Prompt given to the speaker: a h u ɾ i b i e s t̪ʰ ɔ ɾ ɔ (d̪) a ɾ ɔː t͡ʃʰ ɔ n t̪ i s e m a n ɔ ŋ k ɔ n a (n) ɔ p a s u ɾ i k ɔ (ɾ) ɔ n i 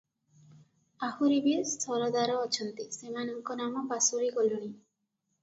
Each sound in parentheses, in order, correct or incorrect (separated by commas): correct, incorrect, incorrect